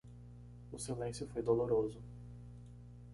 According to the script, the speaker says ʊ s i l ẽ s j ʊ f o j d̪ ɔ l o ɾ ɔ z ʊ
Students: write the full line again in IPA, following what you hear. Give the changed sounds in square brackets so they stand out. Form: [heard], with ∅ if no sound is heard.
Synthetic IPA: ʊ s i l ẽ s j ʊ f o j d̪ [o] l o ɾ [o] z ʊ